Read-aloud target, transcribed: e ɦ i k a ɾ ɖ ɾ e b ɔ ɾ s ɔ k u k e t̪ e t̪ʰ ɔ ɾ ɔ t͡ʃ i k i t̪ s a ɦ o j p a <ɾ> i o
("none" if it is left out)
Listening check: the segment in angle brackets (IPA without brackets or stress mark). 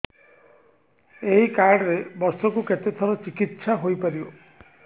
ɾ